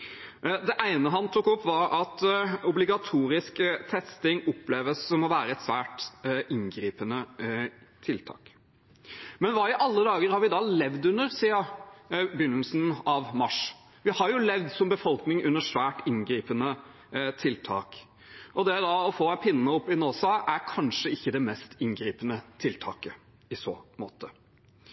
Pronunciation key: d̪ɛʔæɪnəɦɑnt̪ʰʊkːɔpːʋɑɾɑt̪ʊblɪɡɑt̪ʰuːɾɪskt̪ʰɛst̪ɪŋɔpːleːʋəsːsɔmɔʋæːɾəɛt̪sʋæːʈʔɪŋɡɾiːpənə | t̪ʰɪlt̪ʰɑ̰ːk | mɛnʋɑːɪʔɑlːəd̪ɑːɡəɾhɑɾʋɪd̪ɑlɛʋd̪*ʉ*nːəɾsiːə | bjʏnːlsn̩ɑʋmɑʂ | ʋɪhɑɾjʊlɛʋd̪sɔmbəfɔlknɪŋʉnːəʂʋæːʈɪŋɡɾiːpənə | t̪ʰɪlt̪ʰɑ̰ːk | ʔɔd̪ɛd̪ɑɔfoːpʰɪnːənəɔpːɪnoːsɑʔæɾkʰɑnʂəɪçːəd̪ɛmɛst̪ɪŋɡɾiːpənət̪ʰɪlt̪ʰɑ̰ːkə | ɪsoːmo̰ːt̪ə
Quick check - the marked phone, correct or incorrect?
correct